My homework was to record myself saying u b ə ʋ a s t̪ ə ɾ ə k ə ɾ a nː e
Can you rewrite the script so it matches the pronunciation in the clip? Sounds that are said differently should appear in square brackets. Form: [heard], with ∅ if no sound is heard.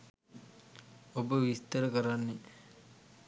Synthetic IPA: [o] b ə ʋ [i] s t̪ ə ɾ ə k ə ɾ a nː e